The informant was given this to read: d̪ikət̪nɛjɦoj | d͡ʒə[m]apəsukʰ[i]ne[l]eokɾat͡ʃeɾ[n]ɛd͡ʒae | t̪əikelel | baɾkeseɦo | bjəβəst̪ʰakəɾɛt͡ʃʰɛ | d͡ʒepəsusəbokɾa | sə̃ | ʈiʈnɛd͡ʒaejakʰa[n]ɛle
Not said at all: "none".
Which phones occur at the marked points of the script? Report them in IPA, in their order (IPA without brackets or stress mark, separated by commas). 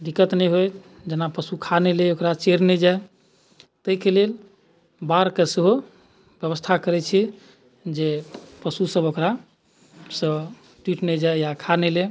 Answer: n, a, l, n, n